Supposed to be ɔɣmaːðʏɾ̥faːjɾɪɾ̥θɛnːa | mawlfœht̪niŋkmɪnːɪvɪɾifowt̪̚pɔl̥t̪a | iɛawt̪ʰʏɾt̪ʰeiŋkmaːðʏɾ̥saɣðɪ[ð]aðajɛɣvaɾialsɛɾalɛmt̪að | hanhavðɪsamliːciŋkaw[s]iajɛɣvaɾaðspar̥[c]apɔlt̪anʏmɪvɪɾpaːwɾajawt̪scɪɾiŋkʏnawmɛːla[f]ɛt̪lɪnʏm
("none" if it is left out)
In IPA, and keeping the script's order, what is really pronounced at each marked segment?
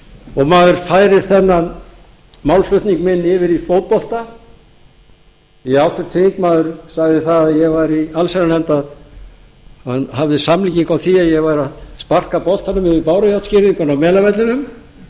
θ, θ, k, v

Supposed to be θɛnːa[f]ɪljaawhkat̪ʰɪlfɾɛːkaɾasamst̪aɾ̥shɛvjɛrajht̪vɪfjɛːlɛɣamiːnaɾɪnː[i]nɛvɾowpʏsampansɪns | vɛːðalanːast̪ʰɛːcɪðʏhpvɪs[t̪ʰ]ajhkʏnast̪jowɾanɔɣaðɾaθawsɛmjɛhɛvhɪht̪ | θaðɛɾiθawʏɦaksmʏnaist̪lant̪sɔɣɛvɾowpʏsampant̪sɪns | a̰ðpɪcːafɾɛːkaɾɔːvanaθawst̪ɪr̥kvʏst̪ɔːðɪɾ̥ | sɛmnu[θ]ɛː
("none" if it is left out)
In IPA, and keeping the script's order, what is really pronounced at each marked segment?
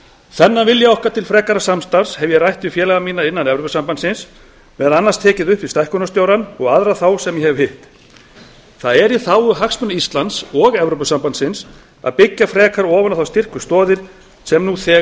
v, a, t̪, θ

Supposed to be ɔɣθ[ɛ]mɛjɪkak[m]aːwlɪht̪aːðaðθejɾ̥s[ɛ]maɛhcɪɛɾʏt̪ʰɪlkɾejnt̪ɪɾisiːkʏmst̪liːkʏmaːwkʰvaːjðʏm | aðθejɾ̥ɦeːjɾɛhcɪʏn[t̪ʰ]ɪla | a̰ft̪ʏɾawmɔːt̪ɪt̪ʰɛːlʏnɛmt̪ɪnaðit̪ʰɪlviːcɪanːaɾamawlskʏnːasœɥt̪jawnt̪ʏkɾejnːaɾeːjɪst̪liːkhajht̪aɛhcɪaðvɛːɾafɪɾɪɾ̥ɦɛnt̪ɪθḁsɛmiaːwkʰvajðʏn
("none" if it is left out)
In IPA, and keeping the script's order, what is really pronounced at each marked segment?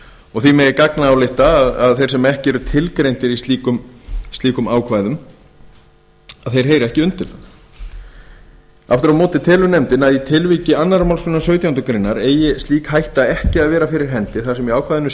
i, n, ɛ, t̪

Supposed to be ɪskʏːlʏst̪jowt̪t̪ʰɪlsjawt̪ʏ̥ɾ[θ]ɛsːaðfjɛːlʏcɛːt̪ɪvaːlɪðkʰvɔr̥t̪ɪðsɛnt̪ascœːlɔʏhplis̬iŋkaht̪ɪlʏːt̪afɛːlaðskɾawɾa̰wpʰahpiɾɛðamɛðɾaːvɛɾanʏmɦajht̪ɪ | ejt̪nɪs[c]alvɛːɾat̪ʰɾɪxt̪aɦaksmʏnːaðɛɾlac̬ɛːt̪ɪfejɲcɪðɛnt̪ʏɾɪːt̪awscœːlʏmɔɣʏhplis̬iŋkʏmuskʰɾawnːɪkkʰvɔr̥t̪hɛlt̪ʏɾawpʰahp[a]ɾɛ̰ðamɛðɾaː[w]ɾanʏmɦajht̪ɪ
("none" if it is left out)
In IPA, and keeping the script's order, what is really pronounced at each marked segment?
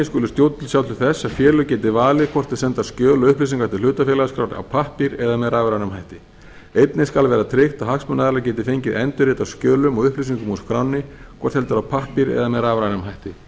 θ, k, i, v

